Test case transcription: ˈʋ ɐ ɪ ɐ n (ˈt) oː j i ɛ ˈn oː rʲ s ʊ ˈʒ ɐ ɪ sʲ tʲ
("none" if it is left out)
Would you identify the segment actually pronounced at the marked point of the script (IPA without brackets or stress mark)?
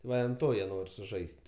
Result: t